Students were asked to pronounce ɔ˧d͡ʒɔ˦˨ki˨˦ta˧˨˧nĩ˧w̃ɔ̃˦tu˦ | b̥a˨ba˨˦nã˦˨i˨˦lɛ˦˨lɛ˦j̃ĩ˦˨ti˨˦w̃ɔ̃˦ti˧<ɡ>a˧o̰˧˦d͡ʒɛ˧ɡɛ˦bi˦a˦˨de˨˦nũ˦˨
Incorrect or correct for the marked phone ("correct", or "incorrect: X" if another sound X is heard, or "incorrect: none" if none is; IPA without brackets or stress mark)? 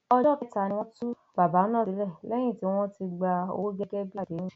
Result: incorrect: ɡ͡b